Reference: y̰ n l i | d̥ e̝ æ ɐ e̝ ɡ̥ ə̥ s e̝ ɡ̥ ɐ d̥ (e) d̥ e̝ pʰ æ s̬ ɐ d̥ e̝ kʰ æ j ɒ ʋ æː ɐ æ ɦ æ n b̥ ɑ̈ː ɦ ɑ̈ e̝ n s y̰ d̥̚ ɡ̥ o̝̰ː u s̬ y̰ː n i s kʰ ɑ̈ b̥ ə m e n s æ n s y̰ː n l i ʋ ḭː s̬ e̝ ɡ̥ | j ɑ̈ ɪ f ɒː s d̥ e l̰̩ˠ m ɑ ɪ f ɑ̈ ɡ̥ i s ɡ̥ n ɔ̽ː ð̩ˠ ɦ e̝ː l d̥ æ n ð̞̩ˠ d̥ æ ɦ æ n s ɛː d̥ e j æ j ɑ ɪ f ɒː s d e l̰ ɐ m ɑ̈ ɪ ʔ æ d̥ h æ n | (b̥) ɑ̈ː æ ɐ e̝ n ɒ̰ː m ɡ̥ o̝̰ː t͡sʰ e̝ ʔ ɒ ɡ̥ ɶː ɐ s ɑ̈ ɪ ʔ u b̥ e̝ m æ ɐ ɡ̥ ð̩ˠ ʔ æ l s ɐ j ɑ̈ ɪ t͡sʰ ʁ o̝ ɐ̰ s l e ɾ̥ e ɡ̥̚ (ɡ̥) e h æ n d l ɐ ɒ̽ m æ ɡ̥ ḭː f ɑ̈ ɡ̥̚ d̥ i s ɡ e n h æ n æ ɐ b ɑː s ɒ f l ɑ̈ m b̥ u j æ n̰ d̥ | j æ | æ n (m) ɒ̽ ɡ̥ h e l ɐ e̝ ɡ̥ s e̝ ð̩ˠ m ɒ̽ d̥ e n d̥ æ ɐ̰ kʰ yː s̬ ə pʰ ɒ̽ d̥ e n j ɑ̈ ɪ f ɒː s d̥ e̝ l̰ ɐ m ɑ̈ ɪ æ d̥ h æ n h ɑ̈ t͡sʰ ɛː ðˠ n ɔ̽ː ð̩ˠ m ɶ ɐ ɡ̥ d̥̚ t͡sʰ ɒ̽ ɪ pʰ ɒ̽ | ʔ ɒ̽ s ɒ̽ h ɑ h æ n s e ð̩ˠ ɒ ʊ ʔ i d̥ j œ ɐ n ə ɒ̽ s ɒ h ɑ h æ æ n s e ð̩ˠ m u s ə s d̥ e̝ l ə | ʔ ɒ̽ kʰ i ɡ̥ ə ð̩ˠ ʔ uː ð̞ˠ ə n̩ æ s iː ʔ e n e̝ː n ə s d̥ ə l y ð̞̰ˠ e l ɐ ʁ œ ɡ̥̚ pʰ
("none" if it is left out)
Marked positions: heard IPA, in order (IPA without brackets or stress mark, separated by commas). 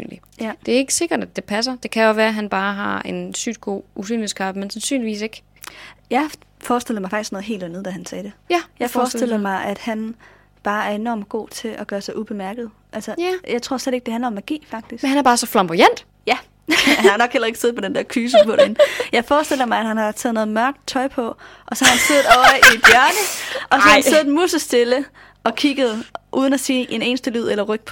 æ, b̥, d̥, n